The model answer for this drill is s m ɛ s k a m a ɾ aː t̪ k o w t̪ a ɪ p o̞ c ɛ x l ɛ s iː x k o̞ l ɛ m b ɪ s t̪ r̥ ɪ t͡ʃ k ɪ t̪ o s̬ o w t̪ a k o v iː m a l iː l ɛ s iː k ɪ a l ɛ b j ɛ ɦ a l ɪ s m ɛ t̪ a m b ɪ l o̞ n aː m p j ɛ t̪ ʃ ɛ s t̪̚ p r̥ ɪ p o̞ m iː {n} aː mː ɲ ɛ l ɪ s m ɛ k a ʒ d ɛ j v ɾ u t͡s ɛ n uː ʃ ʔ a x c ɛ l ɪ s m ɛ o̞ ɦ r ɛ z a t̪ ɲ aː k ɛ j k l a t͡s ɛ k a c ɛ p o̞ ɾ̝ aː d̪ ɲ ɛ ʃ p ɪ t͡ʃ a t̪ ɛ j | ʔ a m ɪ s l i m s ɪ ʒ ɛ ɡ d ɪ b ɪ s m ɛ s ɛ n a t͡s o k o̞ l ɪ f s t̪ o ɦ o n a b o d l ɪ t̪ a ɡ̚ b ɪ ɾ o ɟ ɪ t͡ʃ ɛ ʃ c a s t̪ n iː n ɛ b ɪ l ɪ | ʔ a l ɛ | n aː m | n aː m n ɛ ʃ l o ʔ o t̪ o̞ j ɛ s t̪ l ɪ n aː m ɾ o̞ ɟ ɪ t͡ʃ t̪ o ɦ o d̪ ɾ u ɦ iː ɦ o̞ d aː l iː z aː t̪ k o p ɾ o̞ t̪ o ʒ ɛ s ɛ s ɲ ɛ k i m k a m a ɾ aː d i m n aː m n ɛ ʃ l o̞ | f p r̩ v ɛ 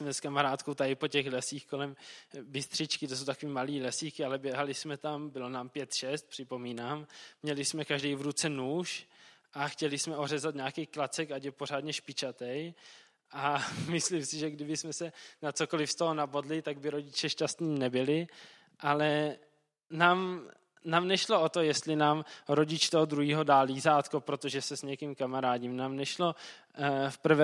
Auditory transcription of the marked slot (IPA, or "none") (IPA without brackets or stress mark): n